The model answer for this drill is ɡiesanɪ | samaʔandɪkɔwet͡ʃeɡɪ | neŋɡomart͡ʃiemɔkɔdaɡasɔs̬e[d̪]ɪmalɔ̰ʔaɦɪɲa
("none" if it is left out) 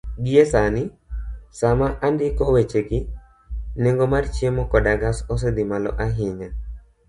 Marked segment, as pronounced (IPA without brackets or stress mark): d̪